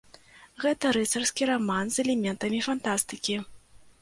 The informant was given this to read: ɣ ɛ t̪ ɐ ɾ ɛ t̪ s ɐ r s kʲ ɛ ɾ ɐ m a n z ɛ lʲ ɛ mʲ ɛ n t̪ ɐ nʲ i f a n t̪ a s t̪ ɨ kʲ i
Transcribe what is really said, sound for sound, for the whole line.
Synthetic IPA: ɣ ɛ t̪ ɐ ɾ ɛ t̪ s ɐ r s kʲ i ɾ a m a n z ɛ lʲ ɛ mʲ ɛ n t̪ ɐ mʲ i f a n t̪ a s t̪ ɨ kʲ i